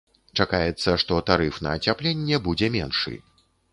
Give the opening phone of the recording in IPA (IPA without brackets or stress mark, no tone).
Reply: t͡ʂ